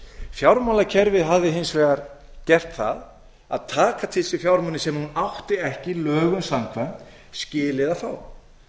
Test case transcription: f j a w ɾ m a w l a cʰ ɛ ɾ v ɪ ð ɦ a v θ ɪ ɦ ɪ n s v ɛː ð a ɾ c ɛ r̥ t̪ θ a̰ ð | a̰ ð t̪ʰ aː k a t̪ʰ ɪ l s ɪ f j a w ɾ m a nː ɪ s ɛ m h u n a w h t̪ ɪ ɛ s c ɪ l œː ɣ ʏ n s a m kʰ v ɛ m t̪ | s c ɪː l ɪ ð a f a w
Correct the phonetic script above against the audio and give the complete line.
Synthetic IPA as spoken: f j a w ɾ m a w l a cʰ ɛ ɾ v ɪ ð ɦ a v ð ɪ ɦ ɪ n s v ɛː ɣ a ɾ c ɛ r̥ t̪ θ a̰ ð | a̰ ð t̪ʰ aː k a t̪ʰ ɪ l s ɪ f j a w ɾ m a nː ɪ s ɛ m h u n a w h t̪ ɪ ɛ h c ɪ l œː ɣ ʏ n s a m kʰ v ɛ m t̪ | s c ɪː l ɪ ð a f a w